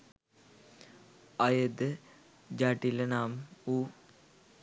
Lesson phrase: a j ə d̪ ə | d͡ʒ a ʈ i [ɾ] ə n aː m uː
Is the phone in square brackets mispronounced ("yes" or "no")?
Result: yes